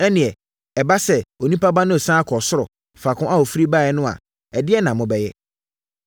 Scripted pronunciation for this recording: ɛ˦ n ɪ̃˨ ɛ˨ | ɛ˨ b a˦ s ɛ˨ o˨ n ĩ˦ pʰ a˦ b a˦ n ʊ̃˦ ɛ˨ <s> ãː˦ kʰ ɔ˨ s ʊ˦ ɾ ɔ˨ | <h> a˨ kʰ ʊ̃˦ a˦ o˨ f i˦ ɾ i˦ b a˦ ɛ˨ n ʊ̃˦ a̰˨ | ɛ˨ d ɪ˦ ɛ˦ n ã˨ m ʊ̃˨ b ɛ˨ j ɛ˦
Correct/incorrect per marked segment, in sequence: correct, incorrect: f

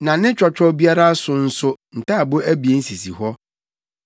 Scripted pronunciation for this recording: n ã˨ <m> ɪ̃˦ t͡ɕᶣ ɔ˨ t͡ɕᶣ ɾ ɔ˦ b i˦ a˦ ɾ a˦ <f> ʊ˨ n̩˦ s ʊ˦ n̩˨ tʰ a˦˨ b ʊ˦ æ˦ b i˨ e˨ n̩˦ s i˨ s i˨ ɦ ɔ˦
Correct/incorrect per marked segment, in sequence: incorrect: n, incorrect: s

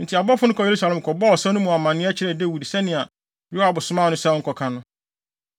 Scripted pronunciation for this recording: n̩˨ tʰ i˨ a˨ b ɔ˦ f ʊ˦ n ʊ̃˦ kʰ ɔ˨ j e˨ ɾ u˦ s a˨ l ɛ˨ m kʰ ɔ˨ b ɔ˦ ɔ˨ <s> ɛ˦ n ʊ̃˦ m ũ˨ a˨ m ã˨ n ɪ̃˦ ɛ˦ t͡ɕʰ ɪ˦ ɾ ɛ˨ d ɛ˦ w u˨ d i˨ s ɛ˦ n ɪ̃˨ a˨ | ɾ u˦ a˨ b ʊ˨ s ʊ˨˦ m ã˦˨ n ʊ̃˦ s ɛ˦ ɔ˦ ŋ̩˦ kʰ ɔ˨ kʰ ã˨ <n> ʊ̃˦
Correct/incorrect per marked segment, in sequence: correct, correct

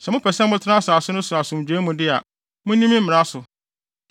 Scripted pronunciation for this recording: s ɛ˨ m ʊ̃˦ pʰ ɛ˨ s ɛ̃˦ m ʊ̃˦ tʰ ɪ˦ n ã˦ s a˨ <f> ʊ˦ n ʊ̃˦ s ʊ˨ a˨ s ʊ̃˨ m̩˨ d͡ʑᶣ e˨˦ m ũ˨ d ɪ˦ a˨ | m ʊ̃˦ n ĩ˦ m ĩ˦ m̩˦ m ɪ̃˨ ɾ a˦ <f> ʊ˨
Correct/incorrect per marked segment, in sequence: incorrect: s, incorrect: s

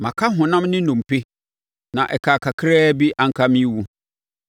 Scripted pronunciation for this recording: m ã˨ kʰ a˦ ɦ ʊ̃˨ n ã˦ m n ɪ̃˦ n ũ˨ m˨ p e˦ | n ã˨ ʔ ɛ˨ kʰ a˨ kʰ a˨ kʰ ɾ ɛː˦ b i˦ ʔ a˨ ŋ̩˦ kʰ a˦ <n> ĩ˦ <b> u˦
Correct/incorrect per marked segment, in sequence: incorrect: m, incorrect: w

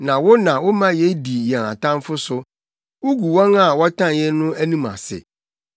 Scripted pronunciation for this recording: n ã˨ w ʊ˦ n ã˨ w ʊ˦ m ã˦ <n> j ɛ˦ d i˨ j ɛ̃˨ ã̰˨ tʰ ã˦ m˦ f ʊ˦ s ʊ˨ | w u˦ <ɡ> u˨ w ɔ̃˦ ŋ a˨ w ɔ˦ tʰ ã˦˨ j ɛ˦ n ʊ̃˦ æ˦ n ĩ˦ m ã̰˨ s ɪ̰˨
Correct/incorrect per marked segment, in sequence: incorrect: none, correct

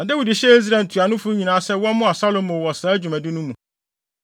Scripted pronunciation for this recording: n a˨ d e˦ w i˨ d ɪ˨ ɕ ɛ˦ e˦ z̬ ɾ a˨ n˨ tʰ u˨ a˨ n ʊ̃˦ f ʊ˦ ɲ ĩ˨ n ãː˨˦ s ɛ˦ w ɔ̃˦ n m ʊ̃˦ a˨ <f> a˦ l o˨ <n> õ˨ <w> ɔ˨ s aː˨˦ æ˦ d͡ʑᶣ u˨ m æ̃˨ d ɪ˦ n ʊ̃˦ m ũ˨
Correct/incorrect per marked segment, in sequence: incorrect: s, incorrect: m, correct

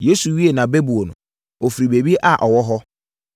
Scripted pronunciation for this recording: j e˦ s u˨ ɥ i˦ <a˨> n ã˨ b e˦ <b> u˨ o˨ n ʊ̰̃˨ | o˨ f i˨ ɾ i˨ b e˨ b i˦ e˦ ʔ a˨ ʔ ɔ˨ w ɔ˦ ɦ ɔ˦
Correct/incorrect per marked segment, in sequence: incorrect: e˨, correct

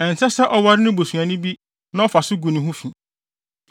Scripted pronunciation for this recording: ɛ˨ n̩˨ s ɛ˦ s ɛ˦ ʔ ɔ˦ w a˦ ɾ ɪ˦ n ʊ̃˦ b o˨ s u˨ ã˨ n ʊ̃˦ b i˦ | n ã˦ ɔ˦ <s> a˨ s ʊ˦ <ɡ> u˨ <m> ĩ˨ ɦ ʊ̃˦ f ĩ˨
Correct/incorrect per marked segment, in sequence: incorrect: f, correct, incorrect: n

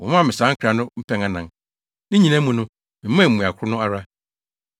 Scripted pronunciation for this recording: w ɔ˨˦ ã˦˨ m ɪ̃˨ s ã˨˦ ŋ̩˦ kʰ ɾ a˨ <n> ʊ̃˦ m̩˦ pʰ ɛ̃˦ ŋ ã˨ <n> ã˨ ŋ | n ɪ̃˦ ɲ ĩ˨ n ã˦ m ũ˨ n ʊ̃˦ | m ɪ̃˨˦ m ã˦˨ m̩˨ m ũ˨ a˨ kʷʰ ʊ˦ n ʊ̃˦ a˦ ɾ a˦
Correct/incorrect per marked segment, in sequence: correct, correct

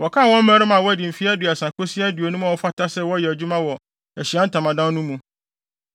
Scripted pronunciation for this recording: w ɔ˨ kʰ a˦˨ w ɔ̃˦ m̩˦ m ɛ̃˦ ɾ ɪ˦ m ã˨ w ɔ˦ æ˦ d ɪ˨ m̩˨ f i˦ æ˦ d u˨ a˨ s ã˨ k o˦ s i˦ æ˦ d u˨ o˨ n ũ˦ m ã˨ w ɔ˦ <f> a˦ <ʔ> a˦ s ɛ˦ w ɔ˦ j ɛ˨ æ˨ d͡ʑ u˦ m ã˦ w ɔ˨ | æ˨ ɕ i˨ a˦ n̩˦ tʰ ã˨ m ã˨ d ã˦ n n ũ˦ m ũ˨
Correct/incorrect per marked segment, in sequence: correct, incorrect: t

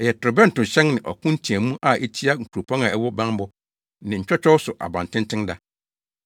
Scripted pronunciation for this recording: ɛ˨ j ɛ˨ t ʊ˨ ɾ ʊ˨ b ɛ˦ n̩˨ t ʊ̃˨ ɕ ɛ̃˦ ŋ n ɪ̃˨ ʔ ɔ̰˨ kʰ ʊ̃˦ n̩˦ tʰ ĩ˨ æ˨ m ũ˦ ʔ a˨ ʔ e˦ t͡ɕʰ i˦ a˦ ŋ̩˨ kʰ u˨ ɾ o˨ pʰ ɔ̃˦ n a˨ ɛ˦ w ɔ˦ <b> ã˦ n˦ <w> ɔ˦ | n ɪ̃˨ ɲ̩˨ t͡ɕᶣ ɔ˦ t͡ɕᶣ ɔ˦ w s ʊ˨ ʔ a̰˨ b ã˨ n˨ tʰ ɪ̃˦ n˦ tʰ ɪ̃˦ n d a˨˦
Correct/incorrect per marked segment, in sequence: correct, incorrect: b

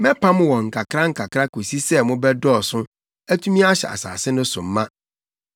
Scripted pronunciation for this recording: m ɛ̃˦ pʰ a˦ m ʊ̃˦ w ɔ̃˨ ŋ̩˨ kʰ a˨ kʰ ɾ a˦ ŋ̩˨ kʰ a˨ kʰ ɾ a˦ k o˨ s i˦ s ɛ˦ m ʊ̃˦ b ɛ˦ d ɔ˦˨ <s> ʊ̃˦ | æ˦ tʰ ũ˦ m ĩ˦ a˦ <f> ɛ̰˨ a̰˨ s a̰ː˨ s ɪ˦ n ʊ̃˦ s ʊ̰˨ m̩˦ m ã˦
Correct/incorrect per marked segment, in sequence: correct, incorrect: ɕ

